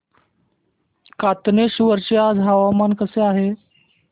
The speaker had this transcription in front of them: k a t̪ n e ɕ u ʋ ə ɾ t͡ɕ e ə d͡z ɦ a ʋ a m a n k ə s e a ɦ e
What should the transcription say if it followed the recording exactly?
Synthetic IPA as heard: k a t̪ n e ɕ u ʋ ə ɾ t͡ɕ e a d͡z ɦ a ʋ a m a n k ə s e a ɦ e